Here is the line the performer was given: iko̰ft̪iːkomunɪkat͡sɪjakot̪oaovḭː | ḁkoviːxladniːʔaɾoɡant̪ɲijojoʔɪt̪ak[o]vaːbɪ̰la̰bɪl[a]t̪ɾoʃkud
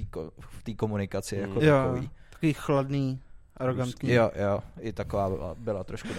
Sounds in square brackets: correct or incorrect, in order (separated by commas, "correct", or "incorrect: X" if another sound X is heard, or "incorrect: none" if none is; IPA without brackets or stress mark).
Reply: correct, correct